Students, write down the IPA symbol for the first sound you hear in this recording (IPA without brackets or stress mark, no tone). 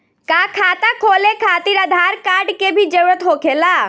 k